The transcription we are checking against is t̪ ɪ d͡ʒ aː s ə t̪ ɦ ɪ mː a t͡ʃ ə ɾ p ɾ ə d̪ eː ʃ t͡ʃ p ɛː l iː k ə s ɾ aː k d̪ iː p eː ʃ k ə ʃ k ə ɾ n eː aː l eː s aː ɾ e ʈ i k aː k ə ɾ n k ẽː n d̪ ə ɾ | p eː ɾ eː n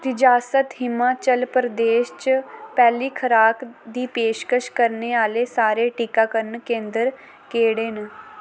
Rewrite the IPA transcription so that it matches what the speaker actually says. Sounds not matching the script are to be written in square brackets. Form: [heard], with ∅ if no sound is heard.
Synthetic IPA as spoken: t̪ ɪ d͡ʒ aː s ə t̪ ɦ ɪ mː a t͡ʃ ə [l] p ɾ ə d̪ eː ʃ t͡ʃ p ɛː l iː [kʰ] ə [∅] ɾ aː k d̪ iː p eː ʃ k ə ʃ k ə ɾ n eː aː l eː s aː ɾ e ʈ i k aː k ə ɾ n k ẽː n d̪ ə ɾ | [k] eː [ɽ] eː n